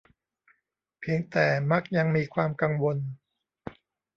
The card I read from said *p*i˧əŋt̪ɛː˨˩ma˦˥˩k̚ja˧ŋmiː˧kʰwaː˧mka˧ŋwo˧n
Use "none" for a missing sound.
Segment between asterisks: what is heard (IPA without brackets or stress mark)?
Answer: pʰ